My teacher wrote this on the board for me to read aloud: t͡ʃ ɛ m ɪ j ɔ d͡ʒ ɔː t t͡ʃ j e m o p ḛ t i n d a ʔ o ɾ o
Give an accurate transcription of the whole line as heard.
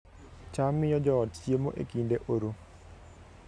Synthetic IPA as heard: t͡ʃ a m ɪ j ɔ d͡ʒ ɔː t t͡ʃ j e m o ʔ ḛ k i n d e ʔ o ɾ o